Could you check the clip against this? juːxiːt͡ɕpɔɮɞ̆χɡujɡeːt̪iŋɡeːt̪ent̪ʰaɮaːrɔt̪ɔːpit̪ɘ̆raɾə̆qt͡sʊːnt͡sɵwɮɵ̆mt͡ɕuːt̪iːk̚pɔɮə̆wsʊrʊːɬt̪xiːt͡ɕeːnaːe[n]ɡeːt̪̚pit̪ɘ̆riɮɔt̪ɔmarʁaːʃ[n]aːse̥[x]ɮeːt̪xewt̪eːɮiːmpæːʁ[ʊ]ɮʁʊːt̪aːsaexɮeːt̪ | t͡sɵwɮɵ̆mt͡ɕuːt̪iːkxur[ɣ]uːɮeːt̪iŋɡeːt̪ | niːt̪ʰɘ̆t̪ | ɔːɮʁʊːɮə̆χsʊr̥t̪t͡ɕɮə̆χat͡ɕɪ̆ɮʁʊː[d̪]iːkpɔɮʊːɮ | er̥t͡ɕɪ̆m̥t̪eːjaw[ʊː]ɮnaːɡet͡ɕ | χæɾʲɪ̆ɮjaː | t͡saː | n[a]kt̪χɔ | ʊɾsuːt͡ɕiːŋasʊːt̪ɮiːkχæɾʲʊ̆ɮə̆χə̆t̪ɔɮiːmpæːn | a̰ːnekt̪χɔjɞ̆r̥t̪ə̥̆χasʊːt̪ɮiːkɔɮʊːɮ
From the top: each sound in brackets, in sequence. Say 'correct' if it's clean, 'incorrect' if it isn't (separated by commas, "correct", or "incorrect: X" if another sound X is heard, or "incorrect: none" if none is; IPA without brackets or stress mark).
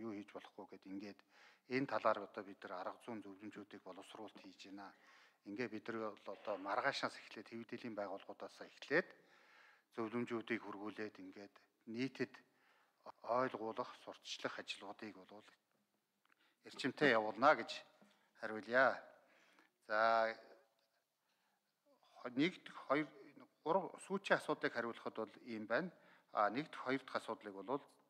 incorrect: ŋ, correct, correct, incorrect: ʊː, correct, incorrect: t̪, correct, incorrect: e